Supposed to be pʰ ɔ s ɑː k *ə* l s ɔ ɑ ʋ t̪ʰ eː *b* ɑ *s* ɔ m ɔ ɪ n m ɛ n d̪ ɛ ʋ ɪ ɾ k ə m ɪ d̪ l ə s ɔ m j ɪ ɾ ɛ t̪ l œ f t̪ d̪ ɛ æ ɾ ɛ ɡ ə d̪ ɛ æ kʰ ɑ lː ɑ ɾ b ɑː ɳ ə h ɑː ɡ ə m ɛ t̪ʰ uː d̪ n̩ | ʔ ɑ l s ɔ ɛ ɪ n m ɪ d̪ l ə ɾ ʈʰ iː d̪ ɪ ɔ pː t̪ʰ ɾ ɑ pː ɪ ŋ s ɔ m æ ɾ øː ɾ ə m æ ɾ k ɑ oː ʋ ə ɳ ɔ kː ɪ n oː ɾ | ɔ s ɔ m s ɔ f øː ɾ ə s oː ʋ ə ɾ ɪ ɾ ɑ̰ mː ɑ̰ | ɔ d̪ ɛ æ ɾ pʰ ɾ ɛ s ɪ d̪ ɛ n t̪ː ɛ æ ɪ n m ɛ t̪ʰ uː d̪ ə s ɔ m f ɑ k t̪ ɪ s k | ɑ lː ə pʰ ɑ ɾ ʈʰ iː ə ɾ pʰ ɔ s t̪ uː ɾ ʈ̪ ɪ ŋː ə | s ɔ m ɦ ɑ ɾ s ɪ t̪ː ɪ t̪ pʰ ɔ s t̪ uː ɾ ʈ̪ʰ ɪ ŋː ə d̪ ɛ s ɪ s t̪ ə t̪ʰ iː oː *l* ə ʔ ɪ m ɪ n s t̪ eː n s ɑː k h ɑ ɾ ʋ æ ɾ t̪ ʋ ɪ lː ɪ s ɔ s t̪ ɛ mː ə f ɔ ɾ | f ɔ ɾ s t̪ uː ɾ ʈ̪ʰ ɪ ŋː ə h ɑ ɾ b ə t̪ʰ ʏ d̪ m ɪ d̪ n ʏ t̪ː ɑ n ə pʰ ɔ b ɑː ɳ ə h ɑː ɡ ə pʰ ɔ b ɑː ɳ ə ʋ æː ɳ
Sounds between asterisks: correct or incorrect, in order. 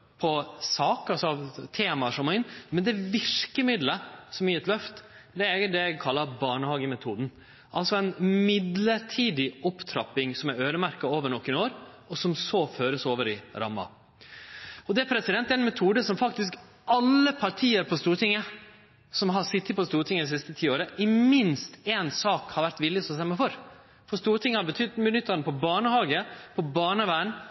incorrect: ɑ, incorrect: m, incorrect: ʂ, incorrect: ɾ

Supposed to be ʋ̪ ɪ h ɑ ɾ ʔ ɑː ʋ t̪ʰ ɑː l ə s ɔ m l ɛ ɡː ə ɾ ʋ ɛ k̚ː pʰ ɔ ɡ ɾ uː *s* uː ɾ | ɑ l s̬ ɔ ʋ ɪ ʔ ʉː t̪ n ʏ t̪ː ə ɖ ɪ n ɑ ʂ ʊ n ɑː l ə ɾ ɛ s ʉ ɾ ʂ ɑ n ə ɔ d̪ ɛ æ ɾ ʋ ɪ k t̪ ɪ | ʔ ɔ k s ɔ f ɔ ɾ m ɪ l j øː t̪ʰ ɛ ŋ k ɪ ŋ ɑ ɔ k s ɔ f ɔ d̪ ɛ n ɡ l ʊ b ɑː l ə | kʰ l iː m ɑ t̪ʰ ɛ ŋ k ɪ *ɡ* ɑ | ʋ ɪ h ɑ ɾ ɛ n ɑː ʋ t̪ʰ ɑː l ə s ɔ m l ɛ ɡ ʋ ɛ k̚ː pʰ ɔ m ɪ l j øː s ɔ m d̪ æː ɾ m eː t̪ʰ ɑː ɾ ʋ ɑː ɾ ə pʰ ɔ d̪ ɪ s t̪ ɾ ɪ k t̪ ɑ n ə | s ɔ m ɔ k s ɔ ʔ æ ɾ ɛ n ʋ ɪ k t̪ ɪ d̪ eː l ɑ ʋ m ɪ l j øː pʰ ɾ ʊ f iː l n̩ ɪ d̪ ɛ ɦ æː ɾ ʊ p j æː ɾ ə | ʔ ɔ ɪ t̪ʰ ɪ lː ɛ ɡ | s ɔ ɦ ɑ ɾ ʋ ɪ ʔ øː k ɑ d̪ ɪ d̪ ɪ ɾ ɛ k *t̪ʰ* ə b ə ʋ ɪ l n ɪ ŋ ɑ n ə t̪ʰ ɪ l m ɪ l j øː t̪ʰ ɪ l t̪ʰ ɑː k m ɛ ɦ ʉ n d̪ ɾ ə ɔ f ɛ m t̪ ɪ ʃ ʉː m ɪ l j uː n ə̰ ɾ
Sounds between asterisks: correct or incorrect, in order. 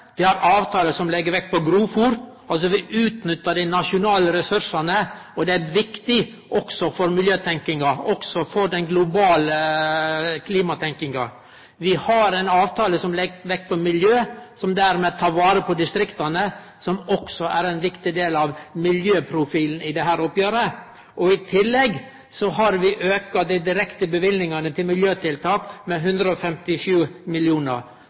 incorrect: f, incorrect: ŋ, incorrect: t̪

